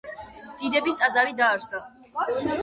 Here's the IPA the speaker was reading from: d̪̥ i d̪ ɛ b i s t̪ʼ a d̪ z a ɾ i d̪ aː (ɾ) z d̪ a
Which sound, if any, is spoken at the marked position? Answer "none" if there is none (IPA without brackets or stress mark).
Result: ɾ